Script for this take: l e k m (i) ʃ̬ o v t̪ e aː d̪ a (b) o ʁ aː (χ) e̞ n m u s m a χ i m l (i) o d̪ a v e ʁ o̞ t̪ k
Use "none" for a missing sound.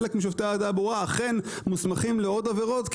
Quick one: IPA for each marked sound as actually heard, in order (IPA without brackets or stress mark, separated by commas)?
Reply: i, b, χ, e